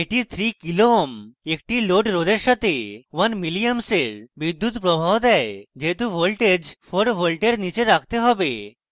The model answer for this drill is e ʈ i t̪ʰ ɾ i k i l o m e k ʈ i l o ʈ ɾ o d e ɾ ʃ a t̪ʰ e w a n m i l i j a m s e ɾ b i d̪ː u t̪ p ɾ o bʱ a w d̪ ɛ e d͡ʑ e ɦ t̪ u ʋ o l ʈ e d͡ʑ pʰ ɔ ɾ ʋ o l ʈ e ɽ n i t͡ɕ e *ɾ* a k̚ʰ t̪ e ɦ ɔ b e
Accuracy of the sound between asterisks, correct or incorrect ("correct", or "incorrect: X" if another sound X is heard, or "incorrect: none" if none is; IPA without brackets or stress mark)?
correct